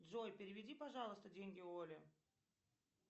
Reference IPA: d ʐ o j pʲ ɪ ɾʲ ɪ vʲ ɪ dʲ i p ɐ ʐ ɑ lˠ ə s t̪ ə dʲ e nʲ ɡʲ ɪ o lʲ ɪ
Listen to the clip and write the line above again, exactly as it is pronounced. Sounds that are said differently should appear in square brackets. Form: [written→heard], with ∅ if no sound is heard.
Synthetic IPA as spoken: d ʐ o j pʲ ɪ ɾʲ ɪ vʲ ɪ dʲ i p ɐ ʐ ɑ lˠ ə s t̪ ə dʲ e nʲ ɡʲ ɪ o lʲ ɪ